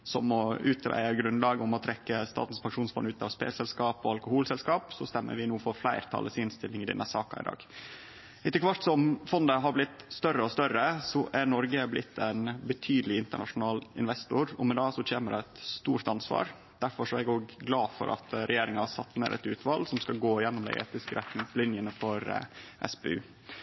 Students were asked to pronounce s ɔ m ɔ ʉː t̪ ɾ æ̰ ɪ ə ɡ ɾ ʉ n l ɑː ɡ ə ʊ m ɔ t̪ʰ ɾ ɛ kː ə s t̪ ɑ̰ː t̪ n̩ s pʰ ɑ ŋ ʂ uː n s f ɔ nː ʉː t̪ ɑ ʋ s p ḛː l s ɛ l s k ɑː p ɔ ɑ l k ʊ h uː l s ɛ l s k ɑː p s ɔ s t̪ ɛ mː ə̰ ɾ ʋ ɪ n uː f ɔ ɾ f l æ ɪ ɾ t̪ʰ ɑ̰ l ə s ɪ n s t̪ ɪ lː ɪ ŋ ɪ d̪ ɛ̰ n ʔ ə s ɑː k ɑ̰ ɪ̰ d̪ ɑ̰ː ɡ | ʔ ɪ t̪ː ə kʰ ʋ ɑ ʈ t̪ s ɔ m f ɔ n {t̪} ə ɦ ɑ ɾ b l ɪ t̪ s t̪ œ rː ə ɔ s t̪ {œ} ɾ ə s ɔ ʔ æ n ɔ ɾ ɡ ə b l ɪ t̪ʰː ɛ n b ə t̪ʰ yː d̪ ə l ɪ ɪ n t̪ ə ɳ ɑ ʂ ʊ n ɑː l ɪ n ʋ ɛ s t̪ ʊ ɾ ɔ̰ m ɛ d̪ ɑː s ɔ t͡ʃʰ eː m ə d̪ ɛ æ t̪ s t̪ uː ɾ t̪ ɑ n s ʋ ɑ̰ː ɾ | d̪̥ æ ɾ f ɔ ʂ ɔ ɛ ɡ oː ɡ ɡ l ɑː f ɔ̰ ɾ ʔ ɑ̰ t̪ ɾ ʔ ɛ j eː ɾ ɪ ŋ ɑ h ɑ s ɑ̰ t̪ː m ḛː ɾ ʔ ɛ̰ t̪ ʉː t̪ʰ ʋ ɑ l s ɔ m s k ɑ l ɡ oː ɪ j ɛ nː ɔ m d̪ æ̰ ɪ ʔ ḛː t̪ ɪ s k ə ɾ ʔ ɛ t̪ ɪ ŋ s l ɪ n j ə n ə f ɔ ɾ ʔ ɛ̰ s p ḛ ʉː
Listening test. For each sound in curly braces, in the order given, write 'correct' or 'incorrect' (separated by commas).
incorrect, correct